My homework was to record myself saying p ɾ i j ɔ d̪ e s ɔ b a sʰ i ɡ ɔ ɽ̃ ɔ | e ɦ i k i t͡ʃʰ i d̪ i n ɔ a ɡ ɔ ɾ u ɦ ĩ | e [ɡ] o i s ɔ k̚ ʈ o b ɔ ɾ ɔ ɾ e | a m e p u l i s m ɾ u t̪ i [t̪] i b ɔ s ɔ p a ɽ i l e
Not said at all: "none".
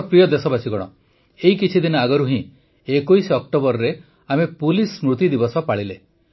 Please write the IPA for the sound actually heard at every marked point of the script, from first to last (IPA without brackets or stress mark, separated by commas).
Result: k, d̪